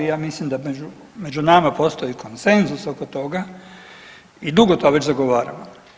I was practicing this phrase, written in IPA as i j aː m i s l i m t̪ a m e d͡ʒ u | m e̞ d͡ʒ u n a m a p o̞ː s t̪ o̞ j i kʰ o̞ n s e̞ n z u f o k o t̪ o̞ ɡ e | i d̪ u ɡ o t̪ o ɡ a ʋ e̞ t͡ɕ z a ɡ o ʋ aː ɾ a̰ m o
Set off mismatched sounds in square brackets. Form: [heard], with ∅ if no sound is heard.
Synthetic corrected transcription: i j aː m i s l i m [d̪] a m e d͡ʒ u | m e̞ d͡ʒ u n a m a p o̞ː s t̪ o̞ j i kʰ o̞ n s e̞ n z u [s] o k o t̪ o̞ ɡ [a] | i d̪ u ɡ o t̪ o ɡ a ʋ e̞ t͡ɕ z a ɡ o ʋ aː ɾ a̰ m o